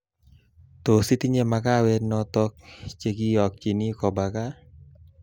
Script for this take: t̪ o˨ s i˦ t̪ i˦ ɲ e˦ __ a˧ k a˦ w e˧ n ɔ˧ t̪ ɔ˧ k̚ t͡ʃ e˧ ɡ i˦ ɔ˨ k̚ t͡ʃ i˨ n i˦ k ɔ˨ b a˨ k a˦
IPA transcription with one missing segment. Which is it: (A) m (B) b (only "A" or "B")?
A